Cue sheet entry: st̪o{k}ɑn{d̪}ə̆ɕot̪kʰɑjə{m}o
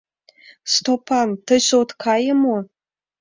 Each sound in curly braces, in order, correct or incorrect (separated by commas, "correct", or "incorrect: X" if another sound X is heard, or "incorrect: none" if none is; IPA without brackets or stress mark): incorrect: p, incorrect: t̪, correct